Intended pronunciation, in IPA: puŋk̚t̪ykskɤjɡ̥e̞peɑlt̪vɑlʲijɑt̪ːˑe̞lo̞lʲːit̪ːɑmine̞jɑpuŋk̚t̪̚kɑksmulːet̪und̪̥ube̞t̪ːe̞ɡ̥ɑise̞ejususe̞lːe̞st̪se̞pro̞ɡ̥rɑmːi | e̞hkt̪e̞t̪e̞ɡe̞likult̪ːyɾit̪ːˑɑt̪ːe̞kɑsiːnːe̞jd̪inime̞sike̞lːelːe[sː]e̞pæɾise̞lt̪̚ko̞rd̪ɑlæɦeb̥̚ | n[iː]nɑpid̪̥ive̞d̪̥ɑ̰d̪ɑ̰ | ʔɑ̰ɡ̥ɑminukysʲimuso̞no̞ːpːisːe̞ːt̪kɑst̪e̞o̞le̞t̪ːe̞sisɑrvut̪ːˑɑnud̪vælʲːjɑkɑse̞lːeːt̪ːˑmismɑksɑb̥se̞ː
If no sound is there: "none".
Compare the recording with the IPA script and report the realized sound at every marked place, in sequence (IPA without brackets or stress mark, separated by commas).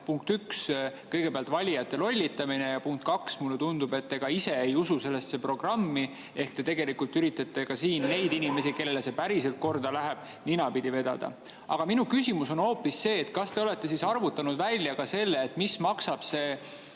s, i